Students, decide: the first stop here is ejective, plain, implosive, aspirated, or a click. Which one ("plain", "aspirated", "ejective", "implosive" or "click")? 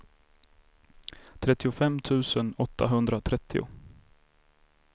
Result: aspirated